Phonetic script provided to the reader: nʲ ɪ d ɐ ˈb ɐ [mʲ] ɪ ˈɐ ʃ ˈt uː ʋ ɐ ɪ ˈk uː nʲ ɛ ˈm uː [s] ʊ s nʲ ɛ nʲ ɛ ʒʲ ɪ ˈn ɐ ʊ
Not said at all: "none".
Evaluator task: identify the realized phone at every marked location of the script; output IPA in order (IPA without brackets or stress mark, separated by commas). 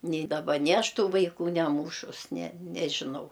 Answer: nʲ, ʃ